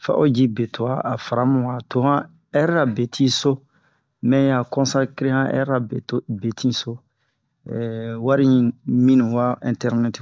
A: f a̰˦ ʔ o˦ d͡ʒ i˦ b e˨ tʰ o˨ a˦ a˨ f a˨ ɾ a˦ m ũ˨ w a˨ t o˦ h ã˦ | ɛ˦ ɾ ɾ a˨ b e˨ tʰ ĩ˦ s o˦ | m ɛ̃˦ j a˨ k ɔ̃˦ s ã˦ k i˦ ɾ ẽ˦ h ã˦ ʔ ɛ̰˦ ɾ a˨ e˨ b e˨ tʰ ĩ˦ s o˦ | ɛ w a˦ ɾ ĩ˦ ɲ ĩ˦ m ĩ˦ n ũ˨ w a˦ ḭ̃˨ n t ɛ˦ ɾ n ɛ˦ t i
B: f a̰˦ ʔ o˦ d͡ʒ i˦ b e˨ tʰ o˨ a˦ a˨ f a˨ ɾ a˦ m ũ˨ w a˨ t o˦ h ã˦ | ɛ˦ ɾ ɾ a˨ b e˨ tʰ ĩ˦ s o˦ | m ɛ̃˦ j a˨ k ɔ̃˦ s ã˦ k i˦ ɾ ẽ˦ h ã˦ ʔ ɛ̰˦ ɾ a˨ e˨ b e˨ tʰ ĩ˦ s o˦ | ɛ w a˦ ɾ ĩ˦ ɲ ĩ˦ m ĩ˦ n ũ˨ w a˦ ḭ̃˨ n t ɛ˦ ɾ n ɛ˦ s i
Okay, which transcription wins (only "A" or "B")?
A